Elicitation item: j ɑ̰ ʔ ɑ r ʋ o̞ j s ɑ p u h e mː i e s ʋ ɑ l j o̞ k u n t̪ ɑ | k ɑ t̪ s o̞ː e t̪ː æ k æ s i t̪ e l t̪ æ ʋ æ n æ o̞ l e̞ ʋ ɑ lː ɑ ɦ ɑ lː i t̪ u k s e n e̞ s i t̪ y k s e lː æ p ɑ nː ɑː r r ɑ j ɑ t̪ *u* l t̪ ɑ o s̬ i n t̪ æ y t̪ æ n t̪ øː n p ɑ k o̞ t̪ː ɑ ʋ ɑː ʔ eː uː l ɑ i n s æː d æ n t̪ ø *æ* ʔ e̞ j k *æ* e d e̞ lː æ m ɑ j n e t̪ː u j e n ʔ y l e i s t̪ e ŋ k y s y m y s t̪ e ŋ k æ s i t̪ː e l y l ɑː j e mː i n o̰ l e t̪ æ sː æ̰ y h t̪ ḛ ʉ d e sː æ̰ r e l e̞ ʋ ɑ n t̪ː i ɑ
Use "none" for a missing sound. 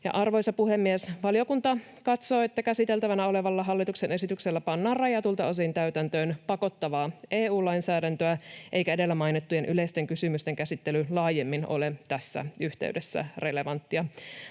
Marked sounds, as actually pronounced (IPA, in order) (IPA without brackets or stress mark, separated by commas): u, æ, æ